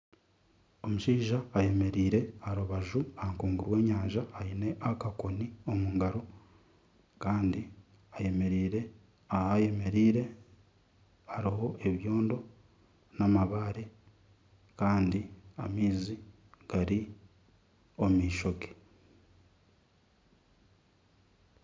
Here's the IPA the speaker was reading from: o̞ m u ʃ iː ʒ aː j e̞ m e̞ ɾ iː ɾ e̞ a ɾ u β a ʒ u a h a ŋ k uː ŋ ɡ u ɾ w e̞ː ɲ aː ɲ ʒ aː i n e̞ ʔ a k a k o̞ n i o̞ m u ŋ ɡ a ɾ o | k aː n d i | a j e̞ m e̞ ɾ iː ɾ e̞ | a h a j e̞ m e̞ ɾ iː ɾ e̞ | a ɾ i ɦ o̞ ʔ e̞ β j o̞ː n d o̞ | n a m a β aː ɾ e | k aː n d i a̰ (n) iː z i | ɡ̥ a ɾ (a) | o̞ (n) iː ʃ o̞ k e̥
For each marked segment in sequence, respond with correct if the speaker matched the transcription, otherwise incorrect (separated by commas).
incorrect, incorrect, incorrect